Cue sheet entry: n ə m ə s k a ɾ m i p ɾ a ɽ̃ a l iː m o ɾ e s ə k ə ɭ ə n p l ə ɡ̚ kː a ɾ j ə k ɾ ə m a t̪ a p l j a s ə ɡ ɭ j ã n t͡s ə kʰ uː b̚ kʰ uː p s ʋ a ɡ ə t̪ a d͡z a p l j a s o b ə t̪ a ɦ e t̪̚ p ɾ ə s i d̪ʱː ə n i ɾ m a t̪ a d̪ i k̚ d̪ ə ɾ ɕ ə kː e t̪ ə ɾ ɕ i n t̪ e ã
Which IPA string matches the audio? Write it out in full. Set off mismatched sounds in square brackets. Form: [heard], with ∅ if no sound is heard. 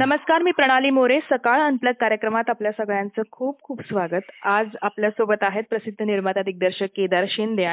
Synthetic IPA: n ə m ə s k a ɾ m [iː] p ɾ [ə] ɽ̃ a l iː m o ɾ e s ə k [a] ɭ ə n p l ə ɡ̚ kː a ɾ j ə k ɾ ə m a t̪ a p l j a s ə ɡ ɭ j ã n t͡s ə kʰ uː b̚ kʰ uː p s ʋ a ɡ ə t̪ a d͡z a p l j a s o b ə t̪ a ɦ e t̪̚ p ɾ ə s i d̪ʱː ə n i ɾ m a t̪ a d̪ i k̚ d̪ ə ɾ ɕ ə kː e [d̪] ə ɾ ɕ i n [d̪] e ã